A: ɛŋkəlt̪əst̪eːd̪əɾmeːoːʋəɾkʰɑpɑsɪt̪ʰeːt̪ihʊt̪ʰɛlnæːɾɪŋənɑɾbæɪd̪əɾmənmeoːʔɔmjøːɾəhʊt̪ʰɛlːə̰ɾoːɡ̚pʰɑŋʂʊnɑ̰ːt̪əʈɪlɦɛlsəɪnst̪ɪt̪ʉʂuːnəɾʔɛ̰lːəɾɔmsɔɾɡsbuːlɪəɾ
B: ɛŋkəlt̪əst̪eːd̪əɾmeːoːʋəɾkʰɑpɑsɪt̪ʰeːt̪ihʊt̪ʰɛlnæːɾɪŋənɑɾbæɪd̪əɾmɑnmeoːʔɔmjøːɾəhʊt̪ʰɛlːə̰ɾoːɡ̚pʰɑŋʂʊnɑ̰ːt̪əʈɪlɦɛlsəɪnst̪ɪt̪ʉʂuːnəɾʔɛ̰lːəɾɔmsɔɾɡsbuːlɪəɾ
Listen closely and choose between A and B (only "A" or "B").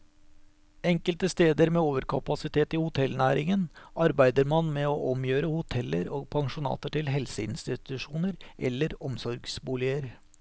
B